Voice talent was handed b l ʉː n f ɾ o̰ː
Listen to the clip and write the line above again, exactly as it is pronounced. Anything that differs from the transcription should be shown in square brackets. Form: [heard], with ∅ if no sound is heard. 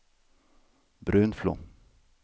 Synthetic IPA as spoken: b [ɾ] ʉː n f [l] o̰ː